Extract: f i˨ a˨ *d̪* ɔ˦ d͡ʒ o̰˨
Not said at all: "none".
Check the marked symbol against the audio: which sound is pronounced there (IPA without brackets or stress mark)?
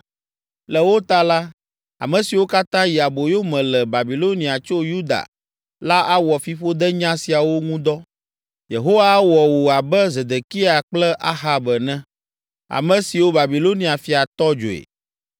t̪